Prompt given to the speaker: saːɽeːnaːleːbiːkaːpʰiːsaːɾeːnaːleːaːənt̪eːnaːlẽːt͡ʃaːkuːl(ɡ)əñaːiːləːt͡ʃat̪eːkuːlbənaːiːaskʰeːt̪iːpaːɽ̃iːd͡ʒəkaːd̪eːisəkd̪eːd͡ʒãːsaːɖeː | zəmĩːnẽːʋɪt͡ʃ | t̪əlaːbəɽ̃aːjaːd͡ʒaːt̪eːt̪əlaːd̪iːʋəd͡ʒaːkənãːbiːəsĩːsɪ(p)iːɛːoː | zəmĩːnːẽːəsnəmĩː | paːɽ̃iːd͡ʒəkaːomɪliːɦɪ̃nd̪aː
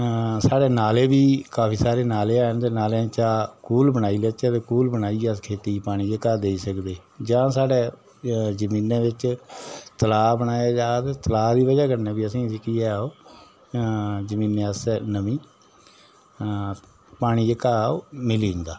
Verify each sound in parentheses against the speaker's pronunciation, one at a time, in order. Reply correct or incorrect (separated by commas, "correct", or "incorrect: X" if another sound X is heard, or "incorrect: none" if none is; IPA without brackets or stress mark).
incorrect: b, incorrect: k